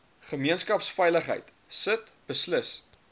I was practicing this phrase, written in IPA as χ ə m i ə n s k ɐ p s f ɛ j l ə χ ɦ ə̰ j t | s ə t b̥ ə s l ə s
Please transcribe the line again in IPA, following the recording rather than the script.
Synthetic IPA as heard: χ ə m i ə n s k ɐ p s f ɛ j l ə χ ɦ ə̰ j t | s ə t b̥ ə s l ə s